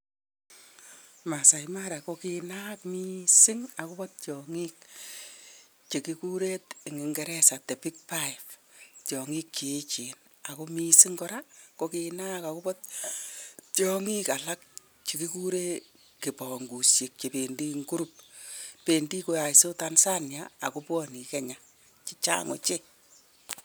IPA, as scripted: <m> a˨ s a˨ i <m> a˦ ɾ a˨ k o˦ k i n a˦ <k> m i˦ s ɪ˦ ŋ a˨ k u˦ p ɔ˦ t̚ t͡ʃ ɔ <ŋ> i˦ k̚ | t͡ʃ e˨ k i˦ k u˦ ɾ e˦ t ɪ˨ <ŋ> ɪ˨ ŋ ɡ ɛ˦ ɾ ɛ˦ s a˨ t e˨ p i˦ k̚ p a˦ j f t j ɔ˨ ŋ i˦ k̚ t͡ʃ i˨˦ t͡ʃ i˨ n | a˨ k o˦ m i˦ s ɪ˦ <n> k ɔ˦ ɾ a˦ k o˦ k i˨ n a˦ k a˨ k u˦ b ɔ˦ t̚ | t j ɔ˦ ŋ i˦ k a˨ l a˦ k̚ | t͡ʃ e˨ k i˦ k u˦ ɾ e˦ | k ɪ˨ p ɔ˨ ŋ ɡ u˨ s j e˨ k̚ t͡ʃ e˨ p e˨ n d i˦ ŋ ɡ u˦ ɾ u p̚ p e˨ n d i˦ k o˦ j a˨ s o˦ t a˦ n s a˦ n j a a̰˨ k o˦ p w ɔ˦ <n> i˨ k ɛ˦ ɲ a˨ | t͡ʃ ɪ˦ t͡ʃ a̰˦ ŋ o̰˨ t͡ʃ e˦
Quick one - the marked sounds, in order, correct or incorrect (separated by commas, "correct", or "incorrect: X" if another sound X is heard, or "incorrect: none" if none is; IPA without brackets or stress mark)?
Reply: correct, correct, correct, correct, correct, incorrect: ŋ, correct